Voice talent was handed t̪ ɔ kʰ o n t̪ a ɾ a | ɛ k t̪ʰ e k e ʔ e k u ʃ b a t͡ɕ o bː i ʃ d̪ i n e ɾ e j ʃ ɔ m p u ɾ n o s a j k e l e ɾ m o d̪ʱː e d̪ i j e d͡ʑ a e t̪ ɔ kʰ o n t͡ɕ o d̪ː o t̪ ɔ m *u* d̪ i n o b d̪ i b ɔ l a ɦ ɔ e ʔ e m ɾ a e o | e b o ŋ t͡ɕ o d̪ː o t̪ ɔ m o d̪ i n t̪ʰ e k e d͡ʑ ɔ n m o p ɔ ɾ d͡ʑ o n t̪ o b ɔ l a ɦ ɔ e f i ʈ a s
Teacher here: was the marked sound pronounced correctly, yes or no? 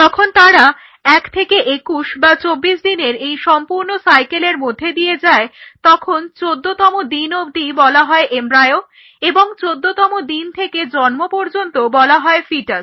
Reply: no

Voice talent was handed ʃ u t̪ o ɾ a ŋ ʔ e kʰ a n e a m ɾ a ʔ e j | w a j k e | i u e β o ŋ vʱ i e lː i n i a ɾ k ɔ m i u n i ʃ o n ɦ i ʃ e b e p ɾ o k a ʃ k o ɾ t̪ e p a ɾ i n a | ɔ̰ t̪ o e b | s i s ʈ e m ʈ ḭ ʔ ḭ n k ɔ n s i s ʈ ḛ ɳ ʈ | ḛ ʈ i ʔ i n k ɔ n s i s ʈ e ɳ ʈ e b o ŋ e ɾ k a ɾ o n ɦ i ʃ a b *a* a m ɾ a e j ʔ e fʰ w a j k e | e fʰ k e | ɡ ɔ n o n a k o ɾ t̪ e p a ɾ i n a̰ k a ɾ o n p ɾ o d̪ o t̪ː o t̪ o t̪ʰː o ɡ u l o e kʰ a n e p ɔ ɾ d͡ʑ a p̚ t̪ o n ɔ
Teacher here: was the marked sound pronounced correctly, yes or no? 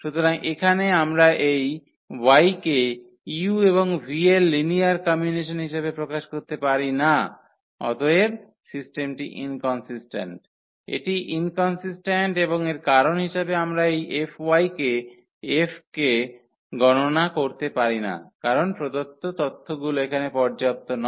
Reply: no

